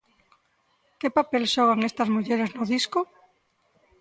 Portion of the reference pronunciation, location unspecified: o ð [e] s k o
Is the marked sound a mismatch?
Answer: yes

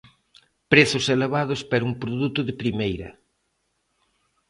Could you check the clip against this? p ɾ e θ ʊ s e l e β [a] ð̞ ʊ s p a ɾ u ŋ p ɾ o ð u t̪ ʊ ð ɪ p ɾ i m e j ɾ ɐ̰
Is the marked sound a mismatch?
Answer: no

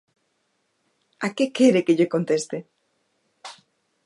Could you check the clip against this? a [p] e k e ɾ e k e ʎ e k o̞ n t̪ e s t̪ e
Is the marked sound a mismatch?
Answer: yes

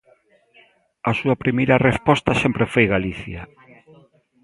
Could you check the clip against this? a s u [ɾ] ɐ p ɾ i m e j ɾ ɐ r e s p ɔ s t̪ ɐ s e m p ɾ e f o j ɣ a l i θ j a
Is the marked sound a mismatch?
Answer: yes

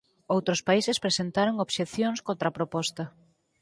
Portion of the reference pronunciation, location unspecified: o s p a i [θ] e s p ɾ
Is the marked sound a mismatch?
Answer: yes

